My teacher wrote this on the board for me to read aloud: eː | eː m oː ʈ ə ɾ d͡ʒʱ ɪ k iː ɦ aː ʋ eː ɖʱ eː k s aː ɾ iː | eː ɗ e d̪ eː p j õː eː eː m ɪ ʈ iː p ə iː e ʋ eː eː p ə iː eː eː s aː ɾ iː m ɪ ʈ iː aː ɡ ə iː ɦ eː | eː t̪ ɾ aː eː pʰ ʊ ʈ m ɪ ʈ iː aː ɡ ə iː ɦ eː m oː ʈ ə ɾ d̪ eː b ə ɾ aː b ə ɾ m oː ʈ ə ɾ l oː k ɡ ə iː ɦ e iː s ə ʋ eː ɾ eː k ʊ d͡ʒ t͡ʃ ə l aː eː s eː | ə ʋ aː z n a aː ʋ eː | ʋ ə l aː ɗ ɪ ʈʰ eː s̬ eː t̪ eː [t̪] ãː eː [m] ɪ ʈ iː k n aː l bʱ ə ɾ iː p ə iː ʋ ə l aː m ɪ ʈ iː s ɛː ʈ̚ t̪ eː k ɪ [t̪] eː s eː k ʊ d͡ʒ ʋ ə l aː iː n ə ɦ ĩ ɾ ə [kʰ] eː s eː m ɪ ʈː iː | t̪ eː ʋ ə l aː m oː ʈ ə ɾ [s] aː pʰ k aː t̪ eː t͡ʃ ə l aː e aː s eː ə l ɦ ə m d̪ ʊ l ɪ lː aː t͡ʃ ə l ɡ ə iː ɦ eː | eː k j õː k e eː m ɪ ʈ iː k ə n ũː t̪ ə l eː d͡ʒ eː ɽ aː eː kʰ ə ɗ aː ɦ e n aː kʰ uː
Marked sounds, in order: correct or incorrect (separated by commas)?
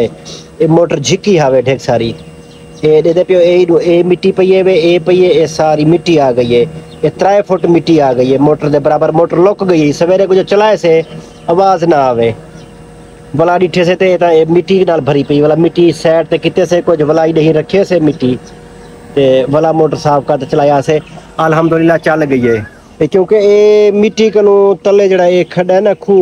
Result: correct, correct, correct, correct, correct